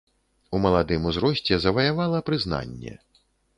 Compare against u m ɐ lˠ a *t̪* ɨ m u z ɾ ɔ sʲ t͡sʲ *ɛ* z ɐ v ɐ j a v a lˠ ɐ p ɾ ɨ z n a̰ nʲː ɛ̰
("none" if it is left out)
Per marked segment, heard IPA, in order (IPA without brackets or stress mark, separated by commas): d̪, ɛ